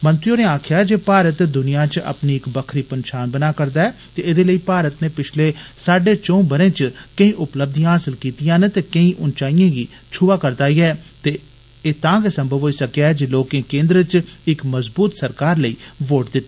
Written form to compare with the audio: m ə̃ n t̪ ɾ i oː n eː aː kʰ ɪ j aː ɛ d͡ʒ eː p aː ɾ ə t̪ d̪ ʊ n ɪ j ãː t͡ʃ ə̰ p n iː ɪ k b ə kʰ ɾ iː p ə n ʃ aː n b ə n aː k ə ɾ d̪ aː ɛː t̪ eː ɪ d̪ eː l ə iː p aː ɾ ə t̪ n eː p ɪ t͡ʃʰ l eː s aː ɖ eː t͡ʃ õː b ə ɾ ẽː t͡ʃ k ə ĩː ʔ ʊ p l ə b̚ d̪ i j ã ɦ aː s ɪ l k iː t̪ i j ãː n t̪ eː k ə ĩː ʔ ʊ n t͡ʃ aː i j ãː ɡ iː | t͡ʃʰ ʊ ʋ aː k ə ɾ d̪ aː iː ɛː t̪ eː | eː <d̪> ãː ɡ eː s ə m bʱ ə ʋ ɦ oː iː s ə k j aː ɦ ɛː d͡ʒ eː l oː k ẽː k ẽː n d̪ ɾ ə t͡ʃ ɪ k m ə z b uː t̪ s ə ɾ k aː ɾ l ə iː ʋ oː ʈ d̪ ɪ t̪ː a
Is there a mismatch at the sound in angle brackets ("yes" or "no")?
yes